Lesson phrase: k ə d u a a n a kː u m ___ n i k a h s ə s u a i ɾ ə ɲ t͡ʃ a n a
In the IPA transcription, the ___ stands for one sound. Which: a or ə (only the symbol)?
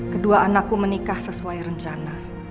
ə